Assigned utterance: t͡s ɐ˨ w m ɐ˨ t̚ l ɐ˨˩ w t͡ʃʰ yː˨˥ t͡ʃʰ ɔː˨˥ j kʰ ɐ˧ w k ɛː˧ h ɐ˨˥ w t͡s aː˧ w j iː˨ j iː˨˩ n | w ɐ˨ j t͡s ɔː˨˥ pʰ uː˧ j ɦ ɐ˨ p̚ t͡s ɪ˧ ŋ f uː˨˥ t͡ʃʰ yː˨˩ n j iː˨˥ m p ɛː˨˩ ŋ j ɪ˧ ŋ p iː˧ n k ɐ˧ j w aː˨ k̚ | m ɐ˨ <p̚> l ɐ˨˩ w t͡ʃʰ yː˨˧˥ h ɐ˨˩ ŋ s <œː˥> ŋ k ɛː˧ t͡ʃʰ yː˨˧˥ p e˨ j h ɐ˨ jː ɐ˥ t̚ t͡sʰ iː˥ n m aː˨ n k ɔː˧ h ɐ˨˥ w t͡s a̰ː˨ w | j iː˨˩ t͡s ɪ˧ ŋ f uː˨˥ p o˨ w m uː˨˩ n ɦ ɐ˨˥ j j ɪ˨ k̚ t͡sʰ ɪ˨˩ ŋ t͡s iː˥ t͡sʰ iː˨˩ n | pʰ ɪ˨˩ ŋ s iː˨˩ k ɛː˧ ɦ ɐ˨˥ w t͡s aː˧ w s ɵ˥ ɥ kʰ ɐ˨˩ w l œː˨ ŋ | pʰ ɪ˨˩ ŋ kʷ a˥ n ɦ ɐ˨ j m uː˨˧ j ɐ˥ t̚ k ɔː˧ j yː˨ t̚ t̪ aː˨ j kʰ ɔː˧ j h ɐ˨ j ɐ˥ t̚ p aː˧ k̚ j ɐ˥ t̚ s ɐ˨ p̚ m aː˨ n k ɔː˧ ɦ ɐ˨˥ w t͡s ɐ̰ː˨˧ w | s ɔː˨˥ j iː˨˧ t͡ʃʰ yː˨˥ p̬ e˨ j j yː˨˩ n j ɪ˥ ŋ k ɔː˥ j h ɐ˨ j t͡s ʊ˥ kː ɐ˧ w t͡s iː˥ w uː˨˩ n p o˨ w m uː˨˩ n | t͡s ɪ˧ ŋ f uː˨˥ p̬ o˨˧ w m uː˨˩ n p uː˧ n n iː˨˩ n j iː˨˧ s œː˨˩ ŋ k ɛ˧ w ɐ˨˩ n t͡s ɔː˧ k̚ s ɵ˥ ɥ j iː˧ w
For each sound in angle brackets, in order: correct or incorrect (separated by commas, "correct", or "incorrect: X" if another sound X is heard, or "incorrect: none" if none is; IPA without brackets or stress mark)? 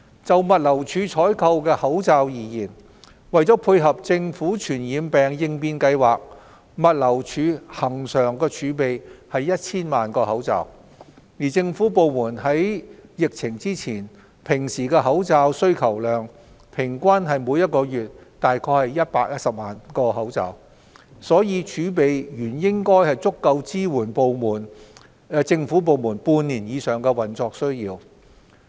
incorrect: t̚, incorrect: œː˨˩